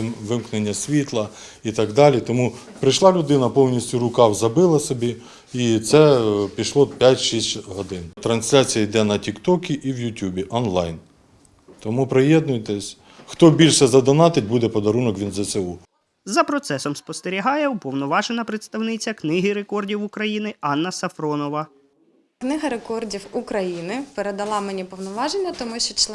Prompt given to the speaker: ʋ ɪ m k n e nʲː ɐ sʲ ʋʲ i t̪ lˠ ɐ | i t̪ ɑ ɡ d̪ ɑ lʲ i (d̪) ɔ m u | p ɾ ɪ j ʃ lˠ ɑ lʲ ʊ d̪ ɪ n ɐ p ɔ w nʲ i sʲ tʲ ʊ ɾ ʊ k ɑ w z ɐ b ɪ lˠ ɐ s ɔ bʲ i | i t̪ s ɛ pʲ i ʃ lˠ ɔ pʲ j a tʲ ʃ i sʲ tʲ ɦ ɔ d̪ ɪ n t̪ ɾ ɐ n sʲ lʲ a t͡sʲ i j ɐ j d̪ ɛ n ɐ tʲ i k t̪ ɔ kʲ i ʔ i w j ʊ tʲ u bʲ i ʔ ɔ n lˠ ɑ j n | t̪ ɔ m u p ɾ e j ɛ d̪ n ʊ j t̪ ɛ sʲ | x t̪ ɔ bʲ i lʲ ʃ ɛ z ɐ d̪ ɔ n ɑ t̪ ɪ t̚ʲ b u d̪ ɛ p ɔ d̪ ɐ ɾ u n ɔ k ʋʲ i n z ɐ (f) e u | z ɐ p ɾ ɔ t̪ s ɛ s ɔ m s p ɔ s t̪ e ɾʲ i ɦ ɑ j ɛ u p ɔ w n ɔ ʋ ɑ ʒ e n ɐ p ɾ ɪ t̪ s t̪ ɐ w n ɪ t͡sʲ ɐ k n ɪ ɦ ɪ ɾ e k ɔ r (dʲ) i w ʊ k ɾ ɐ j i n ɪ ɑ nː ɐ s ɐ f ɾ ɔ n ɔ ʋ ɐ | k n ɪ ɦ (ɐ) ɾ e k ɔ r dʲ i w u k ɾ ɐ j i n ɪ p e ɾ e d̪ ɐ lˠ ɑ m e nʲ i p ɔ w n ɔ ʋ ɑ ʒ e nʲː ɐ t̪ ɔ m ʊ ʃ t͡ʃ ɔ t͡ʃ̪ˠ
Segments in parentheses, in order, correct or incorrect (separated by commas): incorrect, incorrect, correct, correct